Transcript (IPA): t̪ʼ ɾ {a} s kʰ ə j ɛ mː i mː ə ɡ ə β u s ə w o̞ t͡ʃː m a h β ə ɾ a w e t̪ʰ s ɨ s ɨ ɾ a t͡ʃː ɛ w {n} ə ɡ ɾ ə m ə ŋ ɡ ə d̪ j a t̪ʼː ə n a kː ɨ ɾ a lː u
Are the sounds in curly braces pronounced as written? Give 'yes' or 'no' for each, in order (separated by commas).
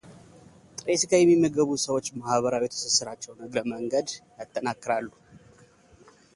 no, yes